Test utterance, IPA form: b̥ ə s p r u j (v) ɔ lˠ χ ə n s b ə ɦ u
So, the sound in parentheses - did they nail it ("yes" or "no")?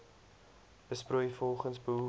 no